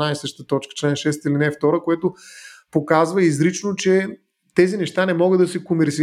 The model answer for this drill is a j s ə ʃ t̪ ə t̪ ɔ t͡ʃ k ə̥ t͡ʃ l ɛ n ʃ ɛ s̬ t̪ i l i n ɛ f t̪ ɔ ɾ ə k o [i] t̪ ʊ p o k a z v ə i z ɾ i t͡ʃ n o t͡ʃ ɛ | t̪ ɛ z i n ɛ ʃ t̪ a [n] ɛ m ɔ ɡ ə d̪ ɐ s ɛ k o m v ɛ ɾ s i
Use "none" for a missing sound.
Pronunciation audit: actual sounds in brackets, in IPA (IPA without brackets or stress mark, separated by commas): ɛ, n